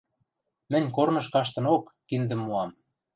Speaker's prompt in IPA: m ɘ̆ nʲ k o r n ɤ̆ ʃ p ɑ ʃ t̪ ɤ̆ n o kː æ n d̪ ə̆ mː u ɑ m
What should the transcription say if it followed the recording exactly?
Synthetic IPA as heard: m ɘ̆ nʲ k o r n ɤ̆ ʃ k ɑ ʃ t̪ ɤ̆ n o kː i n d̪ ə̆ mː u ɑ m